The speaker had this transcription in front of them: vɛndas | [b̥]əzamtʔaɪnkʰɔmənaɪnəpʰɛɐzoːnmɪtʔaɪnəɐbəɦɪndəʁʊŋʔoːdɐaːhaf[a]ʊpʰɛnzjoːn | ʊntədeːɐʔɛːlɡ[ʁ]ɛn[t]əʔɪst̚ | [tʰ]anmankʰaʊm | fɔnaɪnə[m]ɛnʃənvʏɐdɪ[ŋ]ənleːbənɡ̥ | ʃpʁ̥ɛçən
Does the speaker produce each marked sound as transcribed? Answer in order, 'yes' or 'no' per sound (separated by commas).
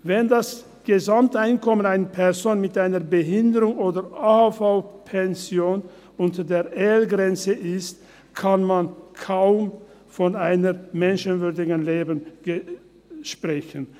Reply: no, yes, yes, no, no, yes, no